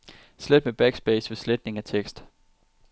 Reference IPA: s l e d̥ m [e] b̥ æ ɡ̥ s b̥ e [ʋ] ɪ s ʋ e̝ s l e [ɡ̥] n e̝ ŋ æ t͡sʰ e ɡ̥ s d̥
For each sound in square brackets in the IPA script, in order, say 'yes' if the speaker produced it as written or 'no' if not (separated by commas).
yes, no, no